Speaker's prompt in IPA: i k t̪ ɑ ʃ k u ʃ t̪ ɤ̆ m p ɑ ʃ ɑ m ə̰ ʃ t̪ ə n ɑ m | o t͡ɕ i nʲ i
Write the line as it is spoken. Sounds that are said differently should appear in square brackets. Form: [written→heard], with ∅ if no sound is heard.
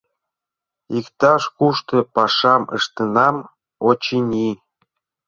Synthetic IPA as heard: i k t̪ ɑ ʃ k u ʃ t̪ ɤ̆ [m→∅] p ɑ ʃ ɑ m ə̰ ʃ t̪ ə n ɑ m | o t͡ɕ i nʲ i